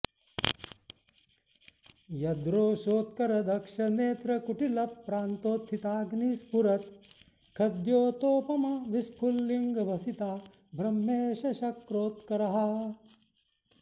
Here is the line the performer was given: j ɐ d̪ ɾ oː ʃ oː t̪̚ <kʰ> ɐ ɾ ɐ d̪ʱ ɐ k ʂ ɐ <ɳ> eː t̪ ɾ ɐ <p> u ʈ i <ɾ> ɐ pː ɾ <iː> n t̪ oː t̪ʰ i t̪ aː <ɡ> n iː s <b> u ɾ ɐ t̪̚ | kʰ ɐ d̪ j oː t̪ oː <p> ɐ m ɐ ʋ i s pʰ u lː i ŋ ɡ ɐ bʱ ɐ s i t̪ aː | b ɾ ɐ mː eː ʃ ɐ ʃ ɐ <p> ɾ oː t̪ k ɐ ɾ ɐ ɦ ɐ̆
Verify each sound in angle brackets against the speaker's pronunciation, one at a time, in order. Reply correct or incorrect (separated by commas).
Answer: incorrect, incorrect, incorrect, incorrect, incorrect, correct, incorrect, correct, incorrect